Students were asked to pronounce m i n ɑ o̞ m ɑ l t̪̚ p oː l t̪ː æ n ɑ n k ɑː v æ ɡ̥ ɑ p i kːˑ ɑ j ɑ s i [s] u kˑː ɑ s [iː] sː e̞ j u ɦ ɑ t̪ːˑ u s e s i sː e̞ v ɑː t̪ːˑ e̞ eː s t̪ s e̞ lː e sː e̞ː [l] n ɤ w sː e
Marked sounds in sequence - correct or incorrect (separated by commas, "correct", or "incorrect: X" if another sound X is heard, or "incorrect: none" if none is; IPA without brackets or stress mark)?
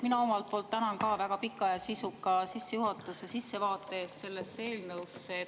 correct, incorrect: i, correct